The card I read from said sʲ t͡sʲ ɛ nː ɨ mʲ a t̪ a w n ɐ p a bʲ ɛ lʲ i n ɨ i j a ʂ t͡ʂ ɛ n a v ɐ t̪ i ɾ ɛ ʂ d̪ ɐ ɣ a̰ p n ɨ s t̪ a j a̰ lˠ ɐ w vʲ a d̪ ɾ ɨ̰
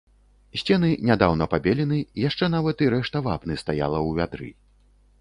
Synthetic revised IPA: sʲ t͡sʲ ɛ n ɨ nʲ a d̪ a w n ɐ p a bʲ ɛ lʲ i n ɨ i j a ʂ t͡ʂ ɛ n a v ɐ t̪ i ɾ ɛ ʂ t̪ ɐ v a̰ p n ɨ s t̪ a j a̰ lˠ ɐ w vʲ a d̪ ɾ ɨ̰